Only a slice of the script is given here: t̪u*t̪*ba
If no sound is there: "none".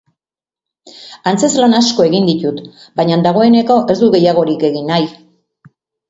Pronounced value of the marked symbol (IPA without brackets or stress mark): t̪